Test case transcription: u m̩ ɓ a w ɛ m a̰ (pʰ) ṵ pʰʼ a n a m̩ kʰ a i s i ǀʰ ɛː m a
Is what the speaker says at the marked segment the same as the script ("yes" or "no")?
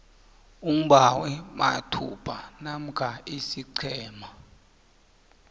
no